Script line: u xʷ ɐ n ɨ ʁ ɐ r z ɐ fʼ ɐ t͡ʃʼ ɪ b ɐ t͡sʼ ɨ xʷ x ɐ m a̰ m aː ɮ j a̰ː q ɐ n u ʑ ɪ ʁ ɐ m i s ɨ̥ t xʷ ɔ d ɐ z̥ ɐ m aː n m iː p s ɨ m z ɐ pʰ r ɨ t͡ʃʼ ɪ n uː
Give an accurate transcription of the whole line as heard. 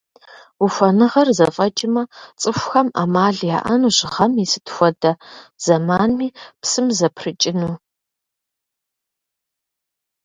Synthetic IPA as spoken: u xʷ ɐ n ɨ ʁ ɐ r z ɐ fʼ ɐ t͡ʃʼ ɪ m ɐ t͡sʼ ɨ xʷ x ɐ m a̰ m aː ɮ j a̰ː ʔ ɐ n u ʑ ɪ ʁ ɐ m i s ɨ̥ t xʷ ɔ d ɐ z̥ ɐ m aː n m iː p s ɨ m z ɐ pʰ r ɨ t͡ʃʼ ɪ n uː